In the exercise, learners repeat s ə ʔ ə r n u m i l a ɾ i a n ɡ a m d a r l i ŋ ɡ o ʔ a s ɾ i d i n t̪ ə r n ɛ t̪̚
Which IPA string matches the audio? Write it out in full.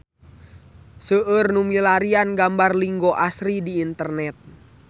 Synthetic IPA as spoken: s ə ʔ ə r n u m i l a ɾ i a n ɡ a m b a r l i ŋ ɡ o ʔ a s ɾ i d iː n t̪ ə r n ɛ t̪̚